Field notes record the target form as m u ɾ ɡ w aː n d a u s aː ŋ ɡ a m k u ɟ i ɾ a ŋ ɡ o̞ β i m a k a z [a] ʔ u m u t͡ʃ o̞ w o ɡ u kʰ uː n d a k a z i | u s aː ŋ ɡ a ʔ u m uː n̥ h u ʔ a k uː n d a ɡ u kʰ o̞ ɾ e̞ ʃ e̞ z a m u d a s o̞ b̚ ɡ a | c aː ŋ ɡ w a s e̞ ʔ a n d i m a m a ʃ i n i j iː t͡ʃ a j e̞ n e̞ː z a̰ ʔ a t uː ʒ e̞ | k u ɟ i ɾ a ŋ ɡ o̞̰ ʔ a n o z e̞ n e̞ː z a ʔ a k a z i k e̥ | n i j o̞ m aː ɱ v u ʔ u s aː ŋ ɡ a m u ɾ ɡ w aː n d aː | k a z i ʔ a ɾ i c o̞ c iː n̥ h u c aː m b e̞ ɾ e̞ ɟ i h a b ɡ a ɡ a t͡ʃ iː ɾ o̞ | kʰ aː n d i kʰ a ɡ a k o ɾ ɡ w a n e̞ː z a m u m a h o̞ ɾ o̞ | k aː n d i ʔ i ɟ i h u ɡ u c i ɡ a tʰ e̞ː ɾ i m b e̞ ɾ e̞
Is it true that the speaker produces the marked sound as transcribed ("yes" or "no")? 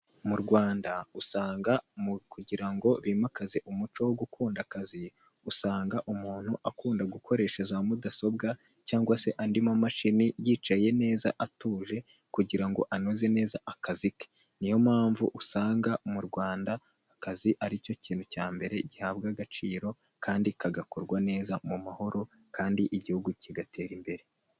no